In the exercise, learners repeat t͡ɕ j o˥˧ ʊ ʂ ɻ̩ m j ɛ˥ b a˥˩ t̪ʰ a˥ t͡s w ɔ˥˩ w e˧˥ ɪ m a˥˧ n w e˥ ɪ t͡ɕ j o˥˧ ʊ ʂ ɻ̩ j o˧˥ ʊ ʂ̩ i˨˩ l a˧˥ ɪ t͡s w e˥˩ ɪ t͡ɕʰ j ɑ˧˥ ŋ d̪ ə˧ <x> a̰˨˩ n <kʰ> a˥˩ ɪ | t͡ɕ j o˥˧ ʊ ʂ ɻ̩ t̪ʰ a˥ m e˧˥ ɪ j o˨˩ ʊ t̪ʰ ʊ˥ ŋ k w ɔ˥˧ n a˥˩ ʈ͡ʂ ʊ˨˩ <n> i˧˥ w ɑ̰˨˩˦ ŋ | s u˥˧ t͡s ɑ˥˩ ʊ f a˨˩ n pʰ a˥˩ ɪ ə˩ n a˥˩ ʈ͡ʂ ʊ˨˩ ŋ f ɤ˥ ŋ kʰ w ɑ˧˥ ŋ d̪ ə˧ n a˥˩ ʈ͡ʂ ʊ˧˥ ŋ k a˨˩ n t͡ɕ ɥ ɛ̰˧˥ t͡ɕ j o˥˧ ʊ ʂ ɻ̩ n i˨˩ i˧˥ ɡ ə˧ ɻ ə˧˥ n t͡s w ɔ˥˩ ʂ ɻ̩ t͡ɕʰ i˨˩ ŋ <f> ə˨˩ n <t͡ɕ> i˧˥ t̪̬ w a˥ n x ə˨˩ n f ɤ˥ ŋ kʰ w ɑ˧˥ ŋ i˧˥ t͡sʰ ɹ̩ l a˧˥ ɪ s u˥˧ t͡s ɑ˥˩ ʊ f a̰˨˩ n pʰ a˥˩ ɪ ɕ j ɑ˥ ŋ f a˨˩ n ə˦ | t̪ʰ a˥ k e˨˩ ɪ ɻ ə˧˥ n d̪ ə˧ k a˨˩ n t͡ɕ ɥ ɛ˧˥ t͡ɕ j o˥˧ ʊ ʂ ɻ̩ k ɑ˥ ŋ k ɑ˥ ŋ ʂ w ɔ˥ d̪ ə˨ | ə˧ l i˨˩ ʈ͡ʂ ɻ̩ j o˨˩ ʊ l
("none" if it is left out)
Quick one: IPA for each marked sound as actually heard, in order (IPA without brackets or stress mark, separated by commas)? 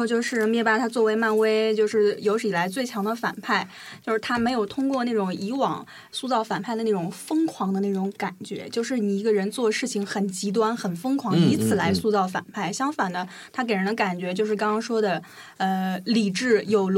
f, pʰ, ŋ, x, t͡ɕ